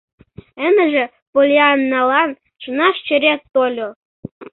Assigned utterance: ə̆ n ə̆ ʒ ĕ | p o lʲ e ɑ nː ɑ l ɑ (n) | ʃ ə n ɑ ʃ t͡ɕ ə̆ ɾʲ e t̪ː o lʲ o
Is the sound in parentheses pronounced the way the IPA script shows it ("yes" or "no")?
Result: yes